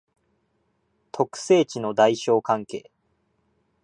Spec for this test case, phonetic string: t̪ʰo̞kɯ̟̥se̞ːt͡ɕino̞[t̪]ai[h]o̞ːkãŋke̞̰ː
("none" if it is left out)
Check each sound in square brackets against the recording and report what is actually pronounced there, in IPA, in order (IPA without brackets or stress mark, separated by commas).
d̪, ɕ